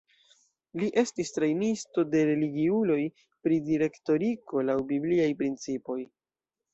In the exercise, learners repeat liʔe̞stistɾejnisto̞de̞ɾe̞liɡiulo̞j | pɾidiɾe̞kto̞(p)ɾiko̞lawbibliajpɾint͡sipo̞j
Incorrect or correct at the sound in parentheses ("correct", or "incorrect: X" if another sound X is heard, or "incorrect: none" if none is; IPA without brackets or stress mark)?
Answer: incorrect: none